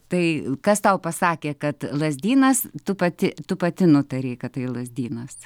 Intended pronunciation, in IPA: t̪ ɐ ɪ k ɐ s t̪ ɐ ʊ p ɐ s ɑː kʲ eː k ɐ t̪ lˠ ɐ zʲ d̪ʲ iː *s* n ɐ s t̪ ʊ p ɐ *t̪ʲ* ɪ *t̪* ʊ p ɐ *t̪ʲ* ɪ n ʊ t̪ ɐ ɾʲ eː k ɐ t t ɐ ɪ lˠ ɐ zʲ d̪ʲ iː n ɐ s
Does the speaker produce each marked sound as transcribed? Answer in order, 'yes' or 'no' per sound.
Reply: no, yes, yes, yes

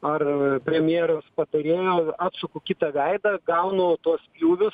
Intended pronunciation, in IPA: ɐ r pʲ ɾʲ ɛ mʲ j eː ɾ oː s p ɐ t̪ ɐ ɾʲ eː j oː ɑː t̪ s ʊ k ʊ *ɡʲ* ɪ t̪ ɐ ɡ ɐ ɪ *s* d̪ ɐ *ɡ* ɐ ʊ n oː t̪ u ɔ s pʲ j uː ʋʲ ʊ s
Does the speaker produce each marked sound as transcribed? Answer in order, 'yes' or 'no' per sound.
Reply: no, no, yes

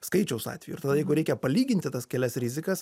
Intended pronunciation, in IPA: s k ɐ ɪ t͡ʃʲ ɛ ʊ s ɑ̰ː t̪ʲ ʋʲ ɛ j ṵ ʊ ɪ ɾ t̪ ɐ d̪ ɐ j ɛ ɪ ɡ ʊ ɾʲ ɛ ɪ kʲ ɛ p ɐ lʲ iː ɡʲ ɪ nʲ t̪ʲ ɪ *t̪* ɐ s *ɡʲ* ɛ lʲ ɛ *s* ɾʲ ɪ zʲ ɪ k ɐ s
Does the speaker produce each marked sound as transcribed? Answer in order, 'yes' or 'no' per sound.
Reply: yes, no, yes

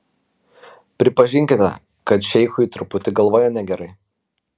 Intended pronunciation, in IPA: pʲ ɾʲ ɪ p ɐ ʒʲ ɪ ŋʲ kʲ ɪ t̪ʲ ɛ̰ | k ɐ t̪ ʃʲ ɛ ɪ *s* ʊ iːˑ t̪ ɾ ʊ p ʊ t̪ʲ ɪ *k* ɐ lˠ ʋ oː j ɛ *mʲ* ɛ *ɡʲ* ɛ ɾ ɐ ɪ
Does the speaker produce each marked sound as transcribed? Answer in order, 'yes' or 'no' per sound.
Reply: no, no, no, yes

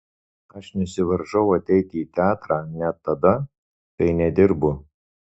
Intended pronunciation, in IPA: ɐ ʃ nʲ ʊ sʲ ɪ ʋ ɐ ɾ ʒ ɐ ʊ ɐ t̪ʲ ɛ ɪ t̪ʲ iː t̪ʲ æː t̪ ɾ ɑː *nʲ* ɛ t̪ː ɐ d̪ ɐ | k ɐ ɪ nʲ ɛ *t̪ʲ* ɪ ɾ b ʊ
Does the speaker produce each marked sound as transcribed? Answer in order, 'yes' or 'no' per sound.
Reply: yes, no

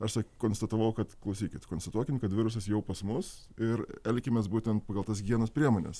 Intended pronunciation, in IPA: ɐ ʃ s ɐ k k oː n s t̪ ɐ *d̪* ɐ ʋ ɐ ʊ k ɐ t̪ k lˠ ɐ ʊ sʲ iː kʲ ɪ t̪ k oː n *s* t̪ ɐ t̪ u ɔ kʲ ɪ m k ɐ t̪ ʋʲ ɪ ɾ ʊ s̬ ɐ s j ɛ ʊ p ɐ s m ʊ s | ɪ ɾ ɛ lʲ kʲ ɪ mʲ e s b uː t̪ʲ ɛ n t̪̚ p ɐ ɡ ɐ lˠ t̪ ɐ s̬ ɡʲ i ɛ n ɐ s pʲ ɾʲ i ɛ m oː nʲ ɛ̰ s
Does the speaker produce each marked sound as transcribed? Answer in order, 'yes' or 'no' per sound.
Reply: no, yes

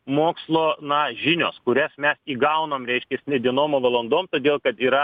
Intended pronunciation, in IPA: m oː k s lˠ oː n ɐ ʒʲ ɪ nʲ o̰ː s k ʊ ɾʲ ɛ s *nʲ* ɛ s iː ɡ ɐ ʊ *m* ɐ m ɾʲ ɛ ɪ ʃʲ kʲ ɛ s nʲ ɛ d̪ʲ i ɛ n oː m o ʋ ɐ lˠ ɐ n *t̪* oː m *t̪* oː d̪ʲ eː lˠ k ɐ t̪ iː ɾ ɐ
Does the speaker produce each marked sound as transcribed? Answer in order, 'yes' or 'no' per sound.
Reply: no, no, no, yes

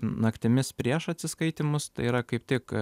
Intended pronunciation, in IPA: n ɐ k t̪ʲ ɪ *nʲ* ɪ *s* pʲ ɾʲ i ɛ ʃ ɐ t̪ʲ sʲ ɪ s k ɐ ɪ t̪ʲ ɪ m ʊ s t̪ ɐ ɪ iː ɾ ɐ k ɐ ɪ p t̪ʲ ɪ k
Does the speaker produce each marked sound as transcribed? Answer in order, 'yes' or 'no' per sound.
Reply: no, yes

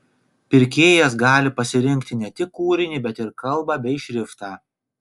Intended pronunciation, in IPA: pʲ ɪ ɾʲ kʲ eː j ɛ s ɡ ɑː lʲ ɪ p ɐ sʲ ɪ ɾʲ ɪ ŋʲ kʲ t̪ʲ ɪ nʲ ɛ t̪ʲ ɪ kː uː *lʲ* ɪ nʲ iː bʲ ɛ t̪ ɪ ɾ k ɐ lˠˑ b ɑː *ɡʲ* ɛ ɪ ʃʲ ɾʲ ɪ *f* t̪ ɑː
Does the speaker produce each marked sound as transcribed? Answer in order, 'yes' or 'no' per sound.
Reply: no, no, yes

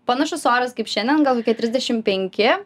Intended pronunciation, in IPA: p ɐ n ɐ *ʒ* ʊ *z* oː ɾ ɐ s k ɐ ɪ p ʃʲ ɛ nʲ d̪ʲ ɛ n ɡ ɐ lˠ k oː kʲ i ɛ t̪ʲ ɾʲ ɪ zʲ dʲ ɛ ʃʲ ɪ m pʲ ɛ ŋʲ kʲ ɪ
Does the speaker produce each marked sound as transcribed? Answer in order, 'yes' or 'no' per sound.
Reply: no, no

